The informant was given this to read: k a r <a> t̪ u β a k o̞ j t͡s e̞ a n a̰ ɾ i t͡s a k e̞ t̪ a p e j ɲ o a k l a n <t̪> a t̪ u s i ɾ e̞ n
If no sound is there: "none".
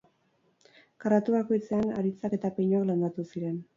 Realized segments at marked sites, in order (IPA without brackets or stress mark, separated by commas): a, d̪